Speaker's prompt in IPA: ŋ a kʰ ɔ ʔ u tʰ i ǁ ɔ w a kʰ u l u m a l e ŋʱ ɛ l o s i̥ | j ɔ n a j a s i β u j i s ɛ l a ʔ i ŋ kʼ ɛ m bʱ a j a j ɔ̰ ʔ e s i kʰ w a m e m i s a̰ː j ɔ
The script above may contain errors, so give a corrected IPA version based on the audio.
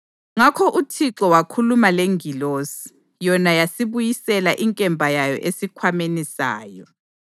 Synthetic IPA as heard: ŋ a kʰ ɔ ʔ u tʰ i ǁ ɔ w a kʰ u l u m a l e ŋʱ i l o s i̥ | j ɔ n a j a s i β u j i s ɛ l a ʔ i ŋ kʼ ɛ m bʱ a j a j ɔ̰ ʔ e s i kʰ w a m e n i s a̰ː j ɔ